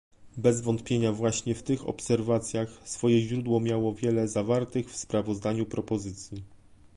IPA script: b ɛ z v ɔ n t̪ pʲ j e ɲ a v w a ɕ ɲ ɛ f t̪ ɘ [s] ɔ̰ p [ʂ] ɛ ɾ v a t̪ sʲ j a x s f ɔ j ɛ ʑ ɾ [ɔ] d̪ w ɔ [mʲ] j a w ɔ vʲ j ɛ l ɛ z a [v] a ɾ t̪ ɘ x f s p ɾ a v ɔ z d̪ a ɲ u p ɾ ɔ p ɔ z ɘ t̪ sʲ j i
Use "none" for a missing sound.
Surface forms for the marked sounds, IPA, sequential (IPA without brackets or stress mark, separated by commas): x, s, u, mʲ, v